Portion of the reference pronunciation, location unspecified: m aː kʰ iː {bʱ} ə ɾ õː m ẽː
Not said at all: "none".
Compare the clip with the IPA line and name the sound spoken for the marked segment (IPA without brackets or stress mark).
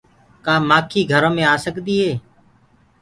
ɡʱ